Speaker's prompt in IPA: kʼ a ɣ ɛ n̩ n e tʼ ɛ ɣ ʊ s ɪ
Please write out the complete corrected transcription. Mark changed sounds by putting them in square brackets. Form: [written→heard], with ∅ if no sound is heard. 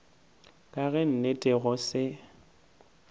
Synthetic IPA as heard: kʼ a ɣ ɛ n̩ n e tʼ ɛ ɣ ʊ s ɪ